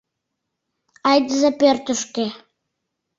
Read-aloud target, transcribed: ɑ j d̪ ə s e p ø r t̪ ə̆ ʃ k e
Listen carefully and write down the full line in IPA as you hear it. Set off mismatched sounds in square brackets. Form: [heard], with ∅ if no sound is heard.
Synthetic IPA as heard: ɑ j d̪ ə [z] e p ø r t̪ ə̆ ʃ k e